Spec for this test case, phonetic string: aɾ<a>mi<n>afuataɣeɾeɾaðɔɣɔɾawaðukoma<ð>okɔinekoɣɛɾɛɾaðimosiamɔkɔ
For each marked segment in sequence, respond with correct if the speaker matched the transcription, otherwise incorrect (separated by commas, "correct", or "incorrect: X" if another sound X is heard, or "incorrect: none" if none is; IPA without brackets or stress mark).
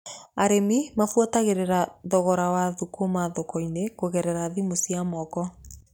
incorrect: e, incorrect: m, correct